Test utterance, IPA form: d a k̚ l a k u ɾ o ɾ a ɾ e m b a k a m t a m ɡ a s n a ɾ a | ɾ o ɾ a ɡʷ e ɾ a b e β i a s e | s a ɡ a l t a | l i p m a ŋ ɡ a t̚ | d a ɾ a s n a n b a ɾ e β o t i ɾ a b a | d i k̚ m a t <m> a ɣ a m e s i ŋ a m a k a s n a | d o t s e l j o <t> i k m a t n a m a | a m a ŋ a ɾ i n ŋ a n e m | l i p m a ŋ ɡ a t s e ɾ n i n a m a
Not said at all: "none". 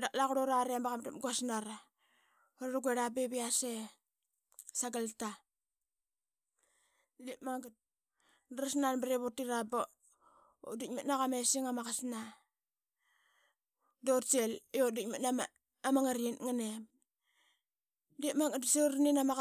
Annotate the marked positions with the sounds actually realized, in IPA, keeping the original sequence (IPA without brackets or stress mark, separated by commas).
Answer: n, d